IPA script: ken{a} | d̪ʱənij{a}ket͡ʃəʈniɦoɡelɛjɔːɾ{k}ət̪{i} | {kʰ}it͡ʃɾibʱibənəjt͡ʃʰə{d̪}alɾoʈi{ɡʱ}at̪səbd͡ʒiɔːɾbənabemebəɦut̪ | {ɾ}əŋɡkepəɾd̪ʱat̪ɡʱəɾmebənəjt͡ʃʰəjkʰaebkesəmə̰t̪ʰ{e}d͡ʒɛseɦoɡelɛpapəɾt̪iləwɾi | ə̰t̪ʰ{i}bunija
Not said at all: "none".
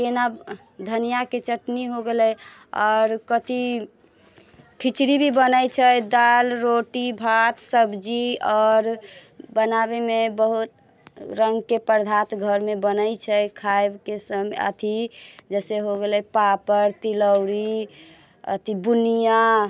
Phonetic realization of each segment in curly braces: a, a, k, i, kʰ, d̪, bʱ, ɾ, i, i

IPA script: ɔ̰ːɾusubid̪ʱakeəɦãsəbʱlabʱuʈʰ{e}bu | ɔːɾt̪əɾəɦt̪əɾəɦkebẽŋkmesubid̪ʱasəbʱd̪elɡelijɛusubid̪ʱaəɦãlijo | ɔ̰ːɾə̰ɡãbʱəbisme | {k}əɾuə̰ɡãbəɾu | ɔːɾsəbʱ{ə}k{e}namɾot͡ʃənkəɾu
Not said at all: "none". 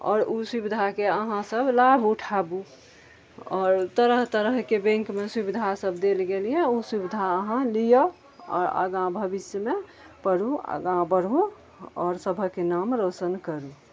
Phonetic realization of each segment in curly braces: a, p, ə, e

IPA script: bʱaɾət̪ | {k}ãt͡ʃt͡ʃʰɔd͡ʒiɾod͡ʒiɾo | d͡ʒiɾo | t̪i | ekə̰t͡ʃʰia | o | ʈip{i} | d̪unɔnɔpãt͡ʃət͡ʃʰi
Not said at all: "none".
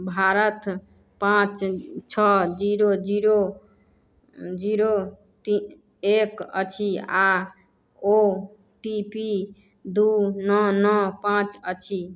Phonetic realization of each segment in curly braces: p, i

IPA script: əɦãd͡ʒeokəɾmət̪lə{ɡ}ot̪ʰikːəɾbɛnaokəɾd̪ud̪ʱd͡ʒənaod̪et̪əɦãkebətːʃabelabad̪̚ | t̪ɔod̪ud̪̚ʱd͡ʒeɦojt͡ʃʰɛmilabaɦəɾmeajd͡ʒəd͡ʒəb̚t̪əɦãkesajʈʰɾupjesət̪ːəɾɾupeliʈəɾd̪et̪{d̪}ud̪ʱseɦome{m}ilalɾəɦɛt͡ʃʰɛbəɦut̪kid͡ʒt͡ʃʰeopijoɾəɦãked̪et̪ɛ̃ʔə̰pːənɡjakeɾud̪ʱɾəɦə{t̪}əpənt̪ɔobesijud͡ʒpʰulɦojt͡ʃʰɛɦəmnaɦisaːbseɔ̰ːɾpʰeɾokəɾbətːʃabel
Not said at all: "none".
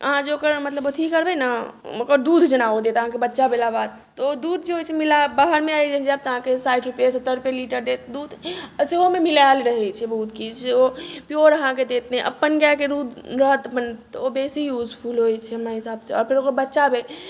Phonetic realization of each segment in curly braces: b, d̪, m, t̪

